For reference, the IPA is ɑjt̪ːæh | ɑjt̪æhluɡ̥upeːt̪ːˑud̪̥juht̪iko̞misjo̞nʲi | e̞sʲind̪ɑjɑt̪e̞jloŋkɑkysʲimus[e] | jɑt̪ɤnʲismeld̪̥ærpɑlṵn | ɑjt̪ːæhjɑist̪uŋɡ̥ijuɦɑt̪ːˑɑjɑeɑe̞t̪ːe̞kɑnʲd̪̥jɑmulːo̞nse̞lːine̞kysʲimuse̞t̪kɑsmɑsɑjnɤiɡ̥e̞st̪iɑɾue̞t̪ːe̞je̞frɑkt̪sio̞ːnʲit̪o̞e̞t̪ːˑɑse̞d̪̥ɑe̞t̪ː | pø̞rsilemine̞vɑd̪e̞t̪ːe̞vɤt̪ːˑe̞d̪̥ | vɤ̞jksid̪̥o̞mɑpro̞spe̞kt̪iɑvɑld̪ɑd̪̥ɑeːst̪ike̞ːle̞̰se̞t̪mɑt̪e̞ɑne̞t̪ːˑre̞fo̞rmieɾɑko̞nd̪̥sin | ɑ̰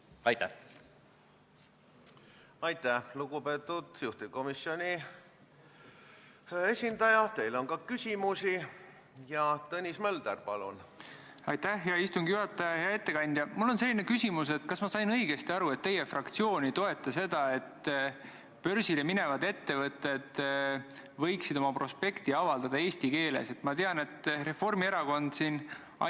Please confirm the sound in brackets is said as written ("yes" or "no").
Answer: no